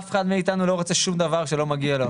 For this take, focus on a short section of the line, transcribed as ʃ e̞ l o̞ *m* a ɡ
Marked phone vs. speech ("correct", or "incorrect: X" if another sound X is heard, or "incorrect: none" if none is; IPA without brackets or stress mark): correct